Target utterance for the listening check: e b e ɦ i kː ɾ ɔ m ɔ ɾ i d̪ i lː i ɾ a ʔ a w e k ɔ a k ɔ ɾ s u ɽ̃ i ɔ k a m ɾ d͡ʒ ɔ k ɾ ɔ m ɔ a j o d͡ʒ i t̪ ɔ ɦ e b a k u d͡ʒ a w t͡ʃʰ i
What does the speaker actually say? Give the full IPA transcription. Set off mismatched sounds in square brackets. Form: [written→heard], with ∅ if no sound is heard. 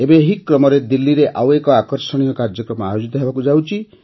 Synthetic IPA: e b e ɦ i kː ɾ ɔ m ɔ ɾ [i→e] d̪ i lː i ɾ [a→e] ʔ a w e k ɔ a k ɔ ɾ s [u→ɔ] ɽ̃ i ɔ k a [m→∅] ɾ d͡ʒ ɔ k ɾ ɔ m ɔ a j o d͡ʒ i t̪ ɔ ɦ e b a k u d͡ʒ a w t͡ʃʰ i